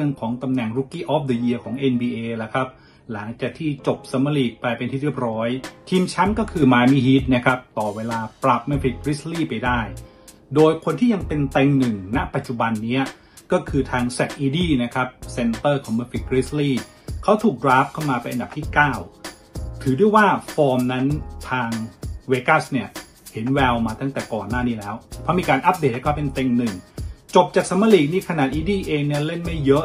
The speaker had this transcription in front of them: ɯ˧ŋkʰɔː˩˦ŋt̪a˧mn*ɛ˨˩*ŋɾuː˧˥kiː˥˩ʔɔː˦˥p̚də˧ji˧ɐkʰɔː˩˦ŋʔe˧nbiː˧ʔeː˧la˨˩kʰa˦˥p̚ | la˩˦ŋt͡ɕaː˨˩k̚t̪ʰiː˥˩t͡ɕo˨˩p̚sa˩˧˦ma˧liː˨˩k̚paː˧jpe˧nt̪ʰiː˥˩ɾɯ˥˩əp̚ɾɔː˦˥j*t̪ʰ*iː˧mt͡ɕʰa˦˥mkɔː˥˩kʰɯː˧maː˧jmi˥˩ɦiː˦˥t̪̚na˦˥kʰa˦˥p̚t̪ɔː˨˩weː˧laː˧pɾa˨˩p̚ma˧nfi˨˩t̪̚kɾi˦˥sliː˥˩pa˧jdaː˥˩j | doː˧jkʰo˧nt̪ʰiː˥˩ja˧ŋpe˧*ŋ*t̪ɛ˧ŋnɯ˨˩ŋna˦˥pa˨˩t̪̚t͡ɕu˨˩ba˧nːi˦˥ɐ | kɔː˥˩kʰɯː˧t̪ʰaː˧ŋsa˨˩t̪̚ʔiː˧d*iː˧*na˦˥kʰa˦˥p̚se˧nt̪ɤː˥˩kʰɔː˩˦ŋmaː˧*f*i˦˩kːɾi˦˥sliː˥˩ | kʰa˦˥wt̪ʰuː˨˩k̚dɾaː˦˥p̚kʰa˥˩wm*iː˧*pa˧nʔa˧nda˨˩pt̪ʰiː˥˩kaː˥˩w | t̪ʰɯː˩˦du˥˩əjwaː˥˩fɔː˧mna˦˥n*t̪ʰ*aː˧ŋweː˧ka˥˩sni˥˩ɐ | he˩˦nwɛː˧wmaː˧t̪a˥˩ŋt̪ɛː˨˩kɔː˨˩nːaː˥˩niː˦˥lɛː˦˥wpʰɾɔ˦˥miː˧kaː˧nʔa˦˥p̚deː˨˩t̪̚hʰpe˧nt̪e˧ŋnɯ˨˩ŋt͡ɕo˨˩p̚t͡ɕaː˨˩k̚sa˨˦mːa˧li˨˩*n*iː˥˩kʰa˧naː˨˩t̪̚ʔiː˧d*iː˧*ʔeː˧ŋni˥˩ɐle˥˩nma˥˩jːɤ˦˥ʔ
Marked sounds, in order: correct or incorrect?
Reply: correct, correct, incorrect, incorrect, correct, incorrect, correct, correct, incorrect

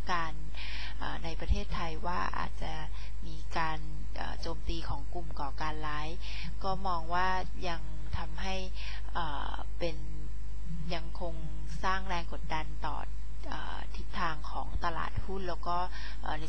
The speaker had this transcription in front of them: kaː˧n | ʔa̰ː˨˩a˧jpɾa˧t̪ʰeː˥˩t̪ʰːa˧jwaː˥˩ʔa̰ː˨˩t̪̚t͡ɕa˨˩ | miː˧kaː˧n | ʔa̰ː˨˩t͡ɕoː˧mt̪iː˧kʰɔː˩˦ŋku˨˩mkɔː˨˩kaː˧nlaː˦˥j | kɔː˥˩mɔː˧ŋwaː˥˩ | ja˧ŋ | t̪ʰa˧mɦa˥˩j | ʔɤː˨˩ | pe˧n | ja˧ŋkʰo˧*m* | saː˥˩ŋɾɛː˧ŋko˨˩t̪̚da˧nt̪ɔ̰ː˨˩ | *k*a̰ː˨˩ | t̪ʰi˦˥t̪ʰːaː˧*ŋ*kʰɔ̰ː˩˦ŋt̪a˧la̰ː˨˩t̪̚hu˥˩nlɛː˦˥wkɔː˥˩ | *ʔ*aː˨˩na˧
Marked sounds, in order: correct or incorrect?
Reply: incorrect, incorrect, correct, correct

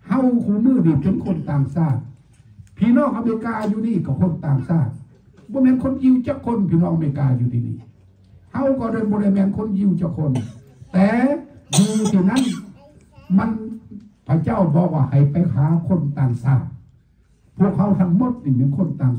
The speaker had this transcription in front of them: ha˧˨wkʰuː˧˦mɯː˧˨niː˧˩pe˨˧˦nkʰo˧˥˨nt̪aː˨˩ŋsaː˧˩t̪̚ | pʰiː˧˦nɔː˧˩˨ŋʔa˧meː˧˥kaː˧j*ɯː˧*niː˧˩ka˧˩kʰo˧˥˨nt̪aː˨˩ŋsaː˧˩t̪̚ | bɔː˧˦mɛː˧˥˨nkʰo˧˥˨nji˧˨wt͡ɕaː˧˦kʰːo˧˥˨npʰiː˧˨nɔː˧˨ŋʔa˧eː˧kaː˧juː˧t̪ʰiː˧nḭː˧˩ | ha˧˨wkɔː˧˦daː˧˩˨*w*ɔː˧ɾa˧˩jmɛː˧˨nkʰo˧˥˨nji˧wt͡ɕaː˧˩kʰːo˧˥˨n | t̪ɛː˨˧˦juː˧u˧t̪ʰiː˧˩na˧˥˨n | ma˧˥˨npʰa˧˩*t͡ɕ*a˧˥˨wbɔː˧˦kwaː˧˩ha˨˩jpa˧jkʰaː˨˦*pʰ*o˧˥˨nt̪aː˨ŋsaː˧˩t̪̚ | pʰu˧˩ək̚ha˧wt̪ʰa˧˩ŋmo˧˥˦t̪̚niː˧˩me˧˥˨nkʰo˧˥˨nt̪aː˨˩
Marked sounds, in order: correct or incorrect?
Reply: incorrect, incorrect, correct, incorrect

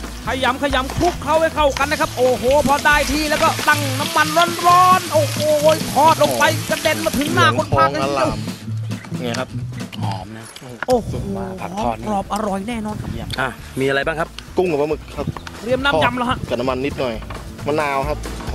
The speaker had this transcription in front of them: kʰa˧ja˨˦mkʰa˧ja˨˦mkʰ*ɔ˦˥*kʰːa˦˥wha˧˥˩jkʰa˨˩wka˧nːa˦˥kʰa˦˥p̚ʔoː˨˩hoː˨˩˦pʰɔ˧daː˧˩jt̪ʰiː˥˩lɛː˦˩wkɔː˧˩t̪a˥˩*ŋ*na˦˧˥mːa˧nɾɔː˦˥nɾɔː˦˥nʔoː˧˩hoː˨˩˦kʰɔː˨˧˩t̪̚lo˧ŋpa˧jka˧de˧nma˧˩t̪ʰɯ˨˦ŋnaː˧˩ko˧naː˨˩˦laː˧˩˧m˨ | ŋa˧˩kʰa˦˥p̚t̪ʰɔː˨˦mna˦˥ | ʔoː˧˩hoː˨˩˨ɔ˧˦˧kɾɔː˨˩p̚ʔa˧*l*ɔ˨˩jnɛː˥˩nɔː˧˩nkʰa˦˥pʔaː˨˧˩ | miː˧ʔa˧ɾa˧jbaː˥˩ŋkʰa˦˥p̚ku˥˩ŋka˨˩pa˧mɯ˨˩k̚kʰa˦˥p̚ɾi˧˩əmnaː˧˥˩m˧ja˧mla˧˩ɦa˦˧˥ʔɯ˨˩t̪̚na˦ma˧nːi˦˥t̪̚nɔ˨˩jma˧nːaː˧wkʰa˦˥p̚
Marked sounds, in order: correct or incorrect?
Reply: incorrect, correct, incorrect

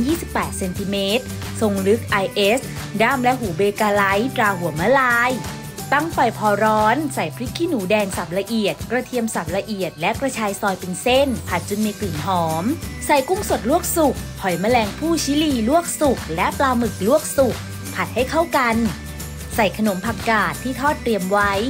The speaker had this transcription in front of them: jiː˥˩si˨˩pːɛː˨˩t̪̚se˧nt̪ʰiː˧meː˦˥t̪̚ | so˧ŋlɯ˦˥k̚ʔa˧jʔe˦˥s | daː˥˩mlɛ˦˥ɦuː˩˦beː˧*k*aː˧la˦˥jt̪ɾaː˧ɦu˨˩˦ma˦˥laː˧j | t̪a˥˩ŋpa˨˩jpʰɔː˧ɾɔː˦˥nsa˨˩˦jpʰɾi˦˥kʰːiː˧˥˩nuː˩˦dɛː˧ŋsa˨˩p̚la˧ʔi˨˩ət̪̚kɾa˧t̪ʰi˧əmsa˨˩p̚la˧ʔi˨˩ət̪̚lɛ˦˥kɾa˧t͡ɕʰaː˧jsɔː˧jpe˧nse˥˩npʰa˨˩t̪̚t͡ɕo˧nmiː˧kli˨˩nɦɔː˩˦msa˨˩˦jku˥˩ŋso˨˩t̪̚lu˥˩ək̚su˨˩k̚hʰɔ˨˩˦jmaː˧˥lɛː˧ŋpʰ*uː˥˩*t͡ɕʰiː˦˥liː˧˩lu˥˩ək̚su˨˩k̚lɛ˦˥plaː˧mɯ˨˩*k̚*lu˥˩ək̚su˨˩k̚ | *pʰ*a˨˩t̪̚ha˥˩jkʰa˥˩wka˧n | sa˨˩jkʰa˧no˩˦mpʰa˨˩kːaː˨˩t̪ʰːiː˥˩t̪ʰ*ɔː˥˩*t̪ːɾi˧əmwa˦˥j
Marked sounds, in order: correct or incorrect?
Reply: correct, correct, correct, correct, correct

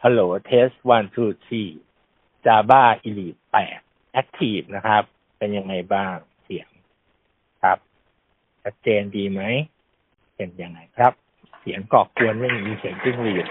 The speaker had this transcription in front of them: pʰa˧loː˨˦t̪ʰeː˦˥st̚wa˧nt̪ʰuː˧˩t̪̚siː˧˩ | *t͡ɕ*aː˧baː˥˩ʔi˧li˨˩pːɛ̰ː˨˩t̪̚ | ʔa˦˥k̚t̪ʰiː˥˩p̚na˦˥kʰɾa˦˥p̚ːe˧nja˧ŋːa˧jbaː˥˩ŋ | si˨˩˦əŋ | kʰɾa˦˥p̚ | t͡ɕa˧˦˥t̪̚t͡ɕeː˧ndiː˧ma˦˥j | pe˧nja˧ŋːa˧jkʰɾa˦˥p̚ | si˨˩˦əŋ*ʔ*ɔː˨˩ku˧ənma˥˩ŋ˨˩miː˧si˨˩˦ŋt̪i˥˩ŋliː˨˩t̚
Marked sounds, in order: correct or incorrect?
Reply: correct, incorrect

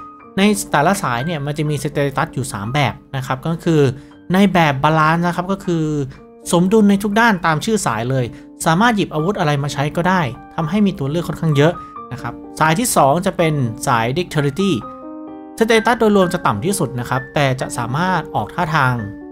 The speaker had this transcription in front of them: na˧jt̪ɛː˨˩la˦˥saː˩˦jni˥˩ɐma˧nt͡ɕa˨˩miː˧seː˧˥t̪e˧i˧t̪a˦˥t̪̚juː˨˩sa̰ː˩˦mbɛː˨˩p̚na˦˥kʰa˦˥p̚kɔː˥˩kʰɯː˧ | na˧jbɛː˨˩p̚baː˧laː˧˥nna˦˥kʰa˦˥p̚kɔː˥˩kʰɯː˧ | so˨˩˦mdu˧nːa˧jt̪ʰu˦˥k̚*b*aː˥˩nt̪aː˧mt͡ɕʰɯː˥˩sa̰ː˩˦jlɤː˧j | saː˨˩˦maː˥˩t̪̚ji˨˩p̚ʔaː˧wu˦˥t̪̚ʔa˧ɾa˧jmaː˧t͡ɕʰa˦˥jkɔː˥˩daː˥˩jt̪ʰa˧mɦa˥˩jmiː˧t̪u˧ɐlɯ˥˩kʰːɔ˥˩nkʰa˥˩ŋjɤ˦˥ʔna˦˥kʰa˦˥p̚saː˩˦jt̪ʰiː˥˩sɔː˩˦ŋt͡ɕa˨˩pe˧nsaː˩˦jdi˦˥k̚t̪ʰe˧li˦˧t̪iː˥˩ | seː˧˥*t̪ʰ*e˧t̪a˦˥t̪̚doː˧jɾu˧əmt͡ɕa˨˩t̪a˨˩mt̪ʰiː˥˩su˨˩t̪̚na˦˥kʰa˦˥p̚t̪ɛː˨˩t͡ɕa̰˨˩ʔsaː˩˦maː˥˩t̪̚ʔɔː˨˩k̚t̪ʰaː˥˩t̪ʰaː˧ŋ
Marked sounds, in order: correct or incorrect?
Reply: incorrect, incorrect

